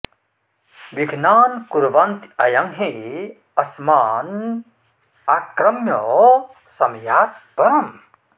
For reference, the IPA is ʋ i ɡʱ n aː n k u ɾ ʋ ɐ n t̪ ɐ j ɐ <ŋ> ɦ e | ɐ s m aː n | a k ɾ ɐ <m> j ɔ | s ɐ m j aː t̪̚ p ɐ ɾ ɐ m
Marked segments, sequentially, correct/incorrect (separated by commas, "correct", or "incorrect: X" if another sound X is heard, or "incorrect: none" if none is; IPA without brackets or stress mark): correct, correct